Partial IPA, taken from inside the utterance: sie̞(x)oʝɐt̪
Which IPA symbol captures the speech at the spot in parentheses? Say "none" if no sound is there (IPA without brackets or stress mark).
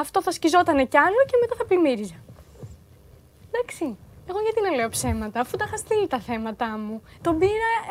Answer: ɣ